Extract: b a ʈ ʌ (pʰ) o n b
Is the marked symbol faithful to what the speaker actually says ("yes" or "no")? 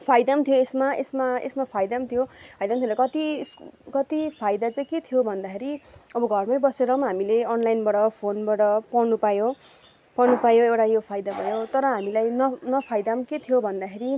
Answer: yes